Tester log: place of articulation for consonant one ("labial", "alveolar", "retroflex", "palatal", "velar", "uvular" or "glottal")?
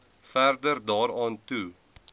labial